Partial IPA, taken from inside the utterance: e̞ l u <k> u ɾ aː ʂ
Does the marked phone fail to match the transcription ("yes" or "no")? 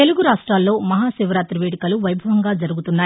yes